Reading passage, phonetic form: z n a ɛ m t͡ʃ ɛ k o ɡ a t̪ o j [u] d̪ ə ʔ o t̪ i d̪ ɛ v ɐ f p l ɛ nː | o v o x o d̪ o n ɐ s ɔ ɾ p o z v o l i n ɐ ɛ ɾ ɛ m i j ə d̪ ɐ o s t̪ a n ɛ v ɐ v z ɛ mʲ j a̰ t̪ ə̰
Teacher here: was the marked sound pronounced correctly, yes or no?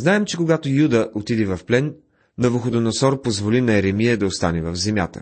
yes